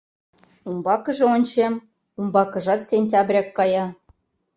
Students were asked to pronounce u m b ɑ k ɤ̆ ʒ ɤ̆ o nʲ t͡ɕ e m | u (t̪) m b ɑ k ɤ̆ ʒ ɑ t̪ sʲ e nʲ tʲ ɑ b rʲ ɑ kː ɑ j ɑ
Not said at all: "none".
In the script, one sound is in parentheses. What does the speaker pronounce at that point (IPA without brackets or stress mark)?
none